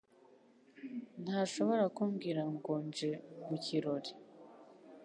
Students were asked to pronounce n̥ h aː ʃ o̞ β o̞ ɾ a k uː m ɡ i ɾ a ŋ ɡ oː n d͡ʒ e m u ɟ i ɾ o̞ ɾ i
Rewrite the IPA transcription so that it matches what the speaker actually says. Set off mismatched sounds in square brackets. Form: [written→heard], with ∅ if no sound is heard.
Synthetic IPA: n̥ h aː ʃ o̞ β o̞ ɾ a k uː m ɡ i ɾ a ŋ ɡ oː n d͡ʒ e m u [ɟ→c] i ɾ o̞ ɾ i